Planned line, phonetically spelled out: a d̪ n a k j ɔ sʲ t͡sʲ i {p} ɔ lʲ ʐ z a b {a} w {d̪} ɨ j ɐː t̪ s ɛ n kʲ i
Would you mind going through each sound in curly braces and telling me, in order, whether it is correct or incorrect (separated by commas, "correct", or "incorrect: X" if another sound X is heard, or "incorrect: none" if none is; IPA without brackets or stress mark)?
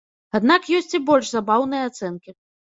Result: incorrect: b, correct, incorrect: n̪